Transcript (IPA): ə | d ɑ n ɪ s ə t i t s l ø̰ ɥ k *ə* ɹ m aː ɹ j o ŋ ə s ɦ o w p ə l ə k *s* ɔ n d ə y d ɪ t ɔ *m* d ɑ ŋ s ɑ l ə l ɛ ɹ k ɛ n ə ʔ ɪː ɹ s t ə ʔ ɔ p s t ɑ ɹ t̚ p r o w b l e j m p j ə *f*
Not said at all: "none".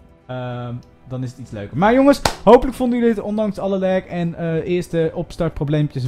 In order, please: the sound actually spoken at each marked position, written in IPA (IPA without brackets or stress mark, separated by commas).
ə, f, n, s